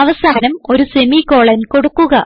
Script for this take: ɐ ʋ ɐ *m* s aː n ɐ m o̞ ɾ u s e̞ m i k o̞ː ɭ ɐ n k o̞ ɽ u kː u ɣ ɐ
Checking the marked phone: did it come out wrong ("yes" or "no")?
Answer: yes